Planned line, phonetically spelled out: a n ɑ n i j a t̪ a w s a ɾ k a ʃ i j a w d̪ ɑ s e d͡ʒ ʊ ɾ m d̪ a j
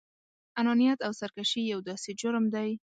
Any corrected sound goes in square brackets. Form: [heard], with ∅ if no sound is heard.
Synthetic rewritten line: a n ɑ n i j a t̪ a w s a ɾ k a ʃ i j a w d̪ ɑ s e d͡ʒ ʊ ɾ m d̪ a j